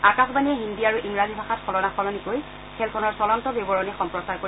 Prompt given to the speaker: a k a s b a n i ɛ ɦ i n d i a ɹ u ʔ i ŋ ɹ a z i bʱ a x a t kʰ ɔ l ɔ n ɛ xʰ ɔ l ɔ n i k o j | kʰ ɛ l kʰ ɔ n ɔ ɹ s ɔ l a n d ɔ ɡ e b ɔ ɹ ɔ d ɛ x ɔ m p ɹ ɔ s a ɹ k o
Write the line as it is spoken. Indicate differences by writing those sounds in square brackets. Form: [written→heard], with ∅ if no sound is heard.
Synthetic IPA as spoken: a k a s b a n i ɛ ɦ i n d i a ɹ u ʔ i ŋ ɹ a z i bʱ a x a t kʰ ɔ l ɔ n [ɛ→a] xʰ ɔ l ɔ n i k o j | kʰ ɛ l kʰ ɔ n ɔ ɹ s ɔ l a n [d→t] ɔ [ɡ→b] e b ɔ ɹ ɔ [d→n] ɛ x ɔ m p ɹ ɔ s a ɹ k o